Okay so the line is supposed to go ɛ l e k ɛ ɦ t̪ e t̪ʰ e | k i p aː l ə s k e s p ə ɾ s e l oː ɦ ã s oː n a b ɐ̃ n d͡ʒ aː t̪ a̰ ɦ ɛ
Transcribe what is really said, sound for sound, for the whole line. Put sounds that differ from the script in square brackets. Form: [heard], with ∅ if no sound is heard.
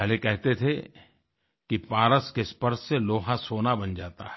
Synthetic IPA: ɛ l e k ɛ ɦ t̪ e t̪ʰ e | k i p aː [ɾ] ə s k e s p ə ɾ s e l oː ɦ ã s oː n a b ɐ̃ n d͡ʒ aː t̪ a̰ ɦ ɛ